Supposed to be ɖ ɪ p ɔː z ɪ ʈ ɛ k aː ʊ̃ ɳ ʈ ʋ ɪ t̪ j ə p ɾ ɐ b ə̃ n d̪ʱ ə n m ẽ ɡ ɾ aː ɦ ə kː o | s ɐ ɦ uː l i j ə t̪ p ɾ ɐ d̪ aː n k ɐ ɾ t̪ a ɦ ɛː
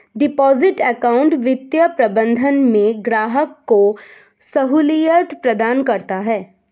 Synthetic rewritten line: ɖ ɪ p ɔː z ɪ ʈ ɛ k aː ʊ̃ ɳ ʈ ʋ ɪ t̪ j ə p ɾ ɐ b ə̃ n d̪ʱ ə n m ẽ ɡ ɾ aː ɦ ə kː o | s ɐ ɦ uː l i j ə t̪ p ɾ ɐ d̪ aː n k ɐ ɾ t̪ a ɦ ɛː